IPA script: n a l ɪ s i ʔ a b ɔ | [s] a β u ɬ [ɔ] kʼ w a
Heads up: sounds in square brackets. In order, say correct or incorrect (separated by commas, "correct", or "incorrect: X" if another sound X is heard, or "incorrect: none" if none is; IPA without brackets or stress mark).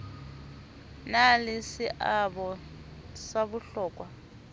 correct, incorrect: ɔː